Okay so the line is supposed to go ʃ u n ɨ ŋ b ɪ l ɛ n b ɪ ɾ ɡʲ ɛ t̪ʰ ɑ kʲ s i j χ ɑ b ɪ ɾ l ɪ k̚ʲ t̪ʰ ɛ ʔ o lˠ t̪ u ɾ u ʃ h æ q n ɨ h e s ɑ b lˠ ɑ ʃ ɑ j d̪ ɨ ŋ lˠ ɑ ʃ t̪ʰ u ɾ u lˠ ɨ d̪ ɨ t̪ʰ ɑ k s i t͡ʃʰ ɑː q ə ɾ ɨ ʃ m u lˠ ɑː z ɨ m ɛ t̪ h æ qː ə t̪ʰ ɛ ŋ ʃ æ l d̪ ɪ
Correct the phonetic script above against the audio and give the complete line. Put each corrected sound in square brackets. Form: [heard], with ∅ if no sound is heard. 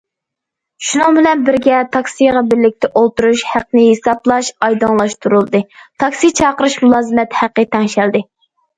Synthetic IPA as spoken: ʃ u n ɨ ŋ b ɪ l ɛ n b ɪ ɾ ɡʲ ɛ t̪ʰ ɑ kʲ s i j [ʁ] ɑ b ɪ ɾ l ɪ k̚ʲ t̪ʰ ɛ ʔ o lˠ t̪ u ɾ u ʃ h æ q n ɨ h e s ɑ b lˠ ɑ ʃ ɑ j d̪ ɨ ŋ lˠ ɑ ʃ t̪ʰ u ɾ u lˠ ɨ d̪ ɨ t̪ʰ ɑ k s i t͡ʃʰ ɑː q ə ɾ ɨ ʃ m u lˠ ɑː z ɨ m ɛ t̪ h æ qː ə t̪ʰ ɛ ŋ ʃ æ l d̪ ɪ